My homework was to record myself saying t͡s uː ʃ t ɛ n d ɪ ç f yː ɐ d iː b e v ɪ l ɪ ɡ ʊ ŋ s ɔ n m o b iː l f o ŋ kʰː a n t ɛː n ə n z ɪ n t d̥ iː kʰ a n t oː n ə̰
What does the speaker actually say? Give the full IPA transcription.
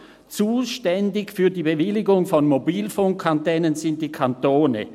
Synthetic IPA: t͡s uː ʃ t ɛ n d ɪ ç f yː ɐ d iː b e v ɪ l ɪ ɡ ʊ ŋ f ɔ n m o b iː l f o ŋ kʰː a n t ɛː n ə n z ɪ n t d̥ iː kʰ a n t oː n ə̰

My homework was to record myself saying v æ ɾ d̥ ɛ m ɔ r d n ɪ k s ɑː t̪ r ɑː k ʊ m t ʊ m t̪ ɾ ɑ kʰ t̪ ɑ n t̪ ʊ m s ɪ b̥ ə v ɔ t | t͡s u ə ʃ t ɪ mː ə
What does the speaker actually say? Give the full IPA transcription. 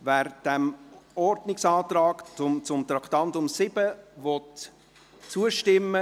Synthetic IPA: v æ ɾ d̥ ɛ m ɔ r d n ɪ k s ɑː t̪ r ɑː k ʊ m t͡s ʊ m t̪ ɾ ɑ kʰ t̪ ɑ n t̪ ʊ m s ɪ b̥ ə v ɔ t | t͡s u ə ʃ t ɪ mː ə

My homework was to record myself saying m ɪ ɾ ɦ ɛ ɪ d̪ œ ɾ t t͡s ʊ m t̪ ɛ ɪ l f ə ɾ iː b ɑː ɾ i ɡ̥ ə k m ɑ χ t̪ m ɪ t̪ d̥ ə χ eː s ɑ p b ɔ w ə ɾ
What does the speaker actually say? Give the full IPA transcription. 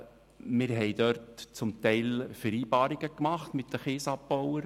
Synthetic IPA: m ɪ ɾ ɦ ɛ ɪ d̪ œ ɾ t t͡s ʊ m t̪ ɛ ɪ l f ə ɾ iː b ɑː ɾ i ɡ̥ ə k m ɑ χ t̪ m ɪ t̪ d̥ ə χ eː s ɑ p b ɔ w ə ɾ

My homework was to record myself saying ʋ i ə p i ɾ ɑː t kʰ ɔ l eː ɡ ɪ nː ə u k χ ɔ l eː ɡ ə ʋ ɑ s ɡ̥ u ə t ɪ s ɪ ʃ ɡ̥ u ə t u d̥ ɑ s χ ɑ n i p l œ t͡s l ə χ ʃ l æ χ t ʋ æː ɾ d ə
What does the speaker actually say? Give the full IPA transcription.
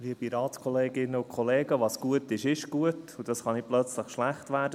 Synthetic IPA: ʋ i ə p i ɾ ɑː t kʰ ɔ l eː ɡ ɪ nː ə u k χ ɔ l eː ɡ ə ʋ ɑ s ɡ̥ u ə t ɪ ʃ ɪ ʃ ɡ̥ u ə t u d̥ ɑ s χ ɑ n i p l œ t͡s l ə χ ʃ l æ χ t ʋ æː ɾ d ə

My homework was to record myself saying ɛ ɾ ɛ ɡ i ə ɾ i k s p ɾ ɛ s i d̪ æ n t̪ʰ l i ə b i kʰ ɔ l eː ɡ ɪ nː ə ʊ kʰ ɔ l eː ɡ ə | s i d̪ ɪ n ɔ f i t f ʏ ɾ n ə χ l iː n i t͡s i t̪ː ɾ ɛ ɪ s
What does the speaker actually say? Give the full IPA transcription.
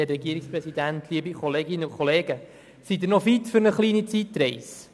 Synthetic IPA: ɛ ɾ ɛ ɡ i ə ɾ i k s p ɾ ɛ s i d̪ æ n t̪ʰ l i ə b i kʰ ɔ l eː ɡ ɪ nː ə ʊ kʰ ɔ l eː ɡ ə | s i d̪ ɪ n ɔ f i t f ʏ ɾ n ə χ l iː n i t͡s i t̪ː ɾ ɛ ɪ s

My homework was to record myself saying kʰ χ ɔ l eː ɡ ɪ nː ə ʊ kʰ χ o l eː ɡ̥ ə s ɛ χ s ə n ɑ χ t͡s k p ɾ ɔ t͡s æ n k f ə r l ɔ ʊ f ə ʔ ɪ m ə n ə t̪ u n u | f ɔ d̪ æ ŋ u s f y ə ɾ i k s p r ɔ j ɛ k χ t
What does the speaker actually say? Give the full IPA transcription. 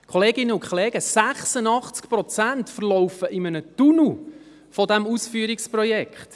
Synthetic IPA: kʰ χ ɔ l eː ɡ ɪ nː ə ʊ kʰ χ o l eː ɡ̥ ə s æ χ s ə n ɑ χ t͡s k p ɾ ɔ t͡s æ n t f ə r l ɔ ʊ f ə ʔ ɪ m ə n ə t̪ u n u | f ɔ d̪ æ m u s f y ə ɾ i k s p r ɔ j ɛ k χ t

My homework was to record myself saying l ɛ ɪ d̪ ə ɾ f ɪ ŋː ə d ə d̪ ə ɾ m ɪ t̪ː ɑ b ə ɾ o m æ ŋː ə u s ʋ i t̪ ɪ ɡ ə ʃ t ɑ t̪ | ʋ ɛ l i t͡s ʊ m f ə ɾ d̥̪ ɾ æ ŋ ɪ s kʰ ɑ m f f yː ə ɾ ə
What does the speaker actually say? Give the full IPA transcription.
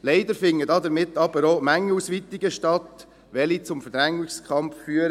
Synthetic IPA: l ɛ ɪ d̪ ə ɾ f ɪ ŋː ə d ɑ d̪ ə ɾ m ɪ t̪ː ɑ b ə ɾ o m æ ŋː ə u s ʋ i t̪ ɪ ɡ ə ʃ t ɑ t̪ | ʋ ɛ l i t͡s ʊ m f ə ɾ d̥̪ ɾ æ ŋ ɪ s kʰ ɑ m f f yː ə ɾ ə

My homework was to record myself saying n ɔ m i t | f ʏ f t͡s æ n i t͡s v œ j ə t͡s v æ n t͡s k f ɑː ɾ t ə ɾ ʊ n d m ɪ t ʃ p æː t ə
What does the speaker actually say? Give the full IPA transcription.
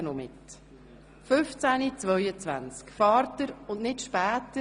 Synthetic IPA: n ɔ m ɪ t | f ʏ f t͡s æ n i t͡s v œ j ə t͡s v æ n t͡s k f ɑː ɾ t ə ɾ ʊ n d n ɪ t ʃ p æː t ə

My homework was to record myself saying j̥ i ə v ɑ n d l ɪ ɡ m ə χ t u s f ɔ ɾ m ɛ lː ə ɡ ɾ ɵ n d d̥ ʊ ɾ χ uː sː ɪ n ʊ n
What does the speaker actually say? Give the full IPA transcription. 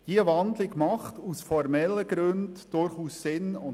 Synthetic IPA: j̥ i ə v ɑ n d l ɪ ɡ m ɑ χ t u s f ɔ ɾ m ɛ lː ə ɡ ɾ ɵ n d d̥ ʊ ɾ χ uː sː ɪ n ʊ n

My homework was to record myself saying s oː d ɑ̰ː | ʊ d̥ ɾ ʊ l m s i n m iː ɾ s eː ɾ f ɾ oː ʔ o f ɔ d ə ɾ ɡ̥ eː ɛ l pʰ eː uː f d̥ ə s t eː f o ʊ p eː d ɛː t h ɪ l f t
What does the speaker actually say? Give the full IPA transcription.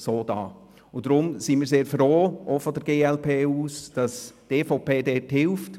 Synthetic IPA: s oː d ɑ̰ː | ʊ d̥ ɾ ʊ m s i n m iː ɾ s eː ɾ f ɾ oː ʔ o f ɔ d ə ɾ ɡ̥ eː ɛ l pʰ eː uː s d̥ ɑ s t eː f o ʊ p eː d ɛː t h ɪ l f t

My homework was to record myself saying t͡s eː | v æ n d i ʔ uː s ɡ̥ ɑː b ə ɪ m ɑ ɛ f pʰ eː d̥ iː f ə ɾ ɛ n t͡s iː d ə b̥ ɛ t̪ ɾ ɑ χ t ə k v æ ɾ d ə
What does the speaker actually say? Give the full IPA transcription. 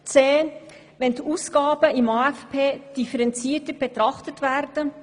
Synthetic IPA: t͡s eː | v ɛ n d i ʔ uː s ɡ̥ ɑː b ə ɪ m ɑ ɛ f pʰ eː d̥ i f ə ɾ ɛ n t͡s iː t ə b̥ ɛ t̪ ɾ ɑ χ t ə t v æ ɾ d ə

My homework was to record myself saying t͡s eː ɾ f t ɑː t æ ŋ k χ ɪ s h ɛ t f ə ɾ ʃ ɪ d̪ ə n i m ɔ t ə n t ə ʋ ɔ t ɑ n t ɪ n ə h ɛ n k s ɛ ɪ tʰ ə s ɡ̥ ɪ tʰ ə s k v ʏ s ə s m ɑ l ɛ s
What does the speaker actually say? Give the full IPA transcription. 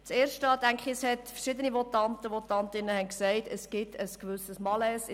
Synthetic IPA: t͡s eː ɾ ʃ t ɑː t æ ŋ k χ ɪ s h ɛ t f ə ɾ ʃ ɪ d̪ ə n i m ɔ t ɑ n t ə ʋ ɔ t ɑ n t ɪ n ə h ɛ n k s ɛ ɪ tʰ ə s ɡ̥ ɪ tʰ ə s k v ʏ s ə s m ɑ l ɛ s

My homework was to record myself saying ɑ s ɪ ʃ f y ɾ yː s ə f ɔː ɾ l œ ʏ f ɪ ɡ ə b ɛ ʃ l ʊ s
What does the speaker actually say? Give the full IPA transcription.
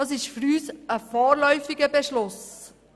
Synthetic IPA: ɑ s ɪ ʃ f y ɾ yː s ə f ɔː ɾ l œ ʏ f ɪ ɡ ə b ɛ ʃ l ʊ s

